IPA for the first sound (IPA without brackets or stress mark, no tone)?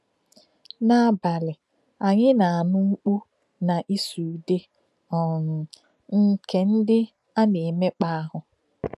n